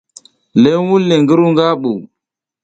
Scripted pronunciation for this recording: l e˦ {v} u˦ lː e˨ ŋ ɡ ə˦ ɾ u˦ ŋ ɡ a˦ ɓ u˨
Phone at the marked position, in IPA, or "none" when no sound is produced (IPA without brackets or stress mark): w